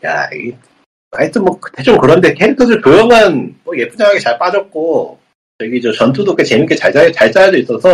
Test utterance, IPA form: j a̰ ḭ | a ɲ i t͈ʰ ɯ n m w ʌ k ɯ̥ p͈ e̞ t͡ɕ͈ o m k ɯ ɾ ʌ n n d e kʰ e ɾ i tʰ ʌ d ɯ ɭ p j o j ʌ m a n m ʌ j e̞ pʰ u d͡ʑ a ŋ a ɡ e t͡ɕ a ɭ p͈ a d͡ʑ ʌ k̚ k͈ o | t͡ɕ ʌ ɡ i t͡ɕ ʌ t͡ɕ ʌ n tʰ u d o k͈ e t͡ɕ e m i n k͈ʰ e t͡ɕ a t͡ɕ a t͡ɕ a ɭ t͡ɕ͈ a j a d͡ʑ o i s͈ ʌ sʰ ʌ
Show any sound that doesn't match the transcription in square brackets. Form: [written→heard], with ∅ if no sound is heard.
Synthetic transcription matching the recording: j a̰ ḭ | a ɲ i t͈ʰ ɯ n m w ʌ k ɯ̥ [p͈→t͈] e̞ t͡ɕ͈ o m k ɯ ɾ ʌ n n d e kʰ e ɾ i tʰ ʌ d ɯ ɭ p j o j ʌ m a n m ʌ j e̞ pʰ u d͡ʑ a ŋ a ɡ e t͡ɕ a ɭ p͈ a d͡ʑ ʌ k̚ k͈ o | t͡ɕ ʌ ɡ i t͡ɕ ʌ t͡ɕ ʌ n tʰ u d o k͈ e t͡ɕ e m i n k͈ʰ e t͡ɕ a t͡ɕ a t͡ɕ a ɭ t͡ɕ͈ a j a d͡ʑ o i s͈ ʌ sʰ ʌ